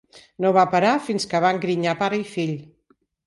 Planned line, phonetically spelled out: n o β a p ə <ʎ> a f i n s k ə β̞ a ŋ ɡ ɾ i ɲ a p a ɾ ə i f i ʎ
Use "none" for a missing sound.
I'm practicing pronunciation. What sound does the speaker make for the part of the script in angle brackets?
ɾ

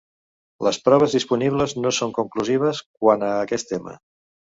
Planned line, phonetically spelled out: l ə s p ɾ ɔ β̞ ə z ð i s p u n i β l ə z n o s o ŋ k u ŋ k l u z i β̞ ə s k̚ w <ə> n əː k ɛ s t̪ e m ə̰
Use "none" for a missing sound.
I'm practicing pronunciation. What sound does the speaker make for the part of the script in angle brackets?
a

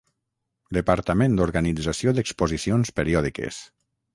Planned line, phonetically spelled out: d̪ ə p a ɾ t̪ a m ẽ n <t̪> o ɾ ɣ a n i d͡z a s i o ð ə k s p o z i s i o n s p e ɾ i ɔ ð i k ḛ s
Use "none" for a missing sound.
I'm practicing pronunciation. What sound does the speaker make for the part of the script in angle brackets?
d̪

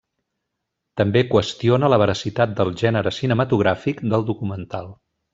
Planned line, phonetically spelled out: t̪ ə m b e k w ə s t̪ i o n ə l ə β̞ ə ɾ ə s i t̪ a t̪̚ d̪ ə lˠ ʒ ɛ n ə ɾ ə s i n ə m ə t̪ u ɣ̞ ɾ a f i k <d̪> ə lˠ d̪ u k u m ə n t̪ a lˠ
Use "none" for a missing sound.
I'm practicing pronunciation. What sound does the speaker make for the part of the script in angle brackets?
d̪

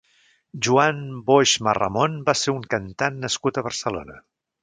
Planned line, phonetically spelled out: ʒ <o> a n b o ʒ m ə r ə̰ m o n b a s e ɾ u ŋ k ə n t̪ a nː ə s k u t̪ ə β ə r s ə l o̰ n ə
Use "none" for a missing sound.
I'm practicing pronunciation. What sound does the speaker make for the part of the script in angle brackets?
u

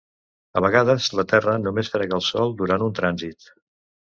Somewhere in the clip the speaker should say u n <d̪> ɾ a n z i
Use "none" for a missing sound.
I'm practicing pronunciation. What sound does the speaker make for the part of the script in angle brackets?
t̪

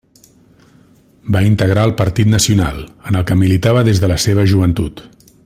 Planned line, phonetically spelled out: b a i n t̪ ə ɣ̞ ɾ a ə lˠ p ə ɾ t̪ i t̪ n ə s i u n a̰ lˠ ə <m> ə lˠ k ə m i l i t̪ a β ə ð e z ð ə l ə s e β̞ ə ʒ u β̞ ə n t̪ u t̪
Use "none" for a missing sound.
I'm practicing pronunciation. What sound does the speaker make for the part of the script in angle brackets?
n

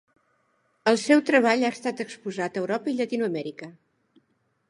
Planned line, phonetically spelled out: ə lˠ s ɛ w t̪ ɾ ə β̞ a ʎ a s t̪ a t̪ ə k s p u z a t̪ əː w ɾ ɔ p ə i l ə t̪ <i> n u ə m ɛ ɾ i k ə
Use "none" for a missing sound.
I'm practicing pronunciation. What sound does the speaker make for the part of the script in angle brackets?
i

